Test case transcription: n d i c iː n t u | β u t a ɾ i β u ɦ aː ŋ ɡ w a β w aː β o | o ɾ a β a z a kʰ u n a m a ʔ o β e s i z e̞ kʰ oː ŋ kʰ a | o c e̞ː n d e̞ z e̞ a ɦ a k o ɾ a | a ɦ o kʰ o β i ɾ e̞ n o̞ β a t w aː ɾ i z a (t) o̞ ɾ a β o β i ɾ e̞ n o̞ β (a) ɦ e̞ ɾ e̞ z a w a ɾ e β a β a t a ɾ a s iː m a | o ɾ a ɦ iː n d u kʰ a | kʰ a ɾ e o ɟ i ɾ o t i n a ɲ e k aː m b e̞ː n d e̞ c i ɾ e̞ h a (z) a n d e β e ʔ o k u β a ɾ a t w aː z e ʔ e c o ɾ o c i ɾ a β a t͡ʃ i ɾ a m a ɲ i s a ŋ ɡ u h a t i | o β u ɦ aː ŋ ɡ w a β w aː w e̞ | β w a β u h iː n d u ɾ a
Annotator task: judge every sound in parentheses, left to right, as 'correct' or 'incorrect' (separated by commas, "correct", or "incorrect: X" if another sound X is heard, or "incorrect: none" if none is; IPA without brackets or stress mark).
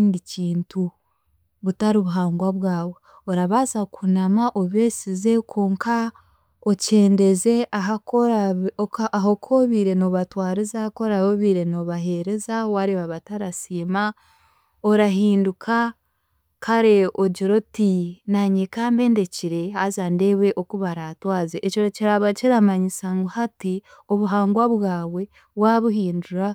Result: incorrect: k, correct, correct